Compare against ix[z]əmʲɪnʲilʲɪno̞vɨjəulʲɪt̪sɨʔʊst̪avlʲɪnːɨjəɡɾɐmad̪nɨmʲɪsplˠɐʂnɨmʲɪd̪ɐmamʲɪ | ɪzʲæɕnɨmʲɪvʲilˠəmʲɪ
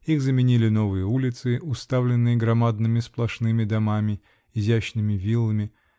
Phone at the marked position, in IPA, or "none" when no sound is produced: z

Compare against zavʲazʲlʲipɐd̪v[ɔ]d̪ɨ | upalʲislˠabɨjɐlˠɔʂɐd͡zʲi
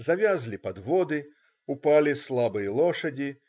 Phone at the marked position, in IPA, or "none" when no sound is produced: ɔ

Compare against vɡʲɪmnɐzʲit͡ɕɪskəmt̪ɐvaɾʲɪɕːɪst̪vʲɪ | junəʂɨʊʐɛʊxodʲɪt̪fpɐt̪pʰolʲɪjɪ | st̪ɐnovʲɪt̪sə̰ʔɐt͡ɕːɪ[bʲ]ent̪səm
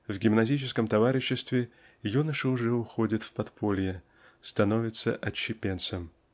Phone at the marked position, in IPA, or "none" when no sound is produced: pʲ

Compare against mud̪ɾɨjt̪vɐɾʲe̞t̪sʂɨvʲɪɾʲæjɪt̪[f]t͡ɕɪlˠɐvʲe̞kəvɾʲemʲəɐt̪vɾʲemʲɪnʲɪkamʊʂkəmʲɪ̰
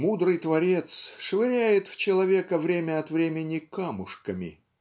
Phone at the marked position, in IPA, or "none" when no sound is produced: f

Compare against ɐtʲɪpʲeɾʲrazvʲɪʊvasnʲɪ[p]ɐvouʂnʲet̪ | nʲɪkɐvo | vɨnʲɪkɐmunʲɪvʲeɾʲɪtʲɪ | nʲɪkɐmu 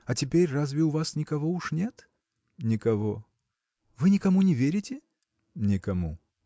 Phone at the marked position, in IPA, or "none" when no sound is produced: k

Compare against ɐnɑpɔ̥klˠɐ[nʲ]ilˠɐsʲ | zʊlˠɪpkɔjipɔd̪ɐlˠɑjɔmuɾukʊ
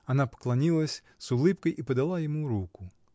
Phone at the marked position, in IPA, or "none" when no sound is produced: nʲ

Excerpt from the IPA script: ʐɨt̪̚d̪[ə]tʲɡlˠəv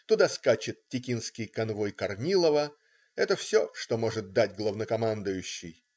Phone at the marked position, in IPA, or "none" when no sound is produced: a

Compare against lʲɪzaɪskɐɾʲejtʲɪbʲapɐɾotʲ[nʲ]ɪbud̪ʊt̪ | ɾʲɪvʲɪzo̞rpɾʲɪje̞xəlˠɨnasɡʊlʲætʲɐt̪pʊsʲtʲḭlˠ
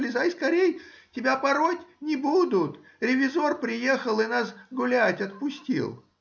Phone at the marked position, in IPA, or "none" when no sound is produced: nʲ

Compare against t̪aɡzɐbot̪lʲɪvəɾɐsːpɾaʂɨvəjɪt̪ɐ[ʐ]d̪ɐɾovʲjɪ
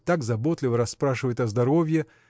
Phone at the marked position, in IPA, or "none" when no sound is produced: z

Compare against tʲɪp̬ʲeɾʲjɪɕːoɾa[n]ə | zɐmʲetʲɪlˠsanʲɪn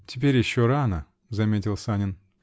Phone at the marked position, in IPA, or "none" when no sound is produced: n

